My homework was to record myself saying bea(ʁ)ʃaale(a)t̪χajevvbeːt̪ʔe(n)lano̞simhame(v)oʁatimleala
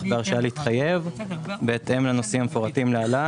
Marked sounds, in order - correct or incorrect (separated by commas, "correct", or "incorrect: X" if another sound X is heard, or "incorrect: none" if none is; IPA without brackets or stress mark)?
correct, incorrect: i, incorrect: m, incorrect: f